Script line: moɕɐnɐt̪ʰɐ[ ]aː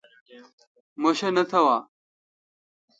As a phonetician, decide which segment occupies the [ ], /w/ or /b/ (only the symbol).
w